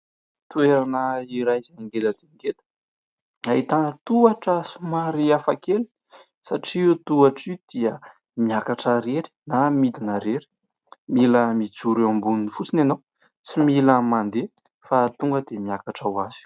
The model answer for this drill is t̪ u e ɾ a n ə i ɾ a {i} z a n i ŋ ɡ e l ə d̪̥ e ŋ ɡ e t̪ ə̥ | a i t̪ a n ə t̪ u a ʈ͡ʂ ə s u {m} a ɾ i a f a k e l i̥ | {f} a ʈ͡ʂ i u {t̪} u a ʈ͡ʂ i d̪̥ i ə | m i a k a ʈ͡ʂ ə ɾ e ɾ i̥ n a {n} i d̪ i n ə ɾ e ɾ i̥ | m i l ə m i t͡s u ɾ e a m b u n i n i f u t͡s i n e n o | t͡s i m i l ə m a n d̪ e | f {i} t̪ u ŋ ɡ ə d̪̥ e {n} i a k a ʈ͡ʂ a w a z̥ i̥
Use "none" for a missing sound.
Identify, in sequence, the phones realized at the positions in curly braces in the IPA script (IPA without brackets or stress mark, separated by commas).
j, m, s, t̪, m, a, m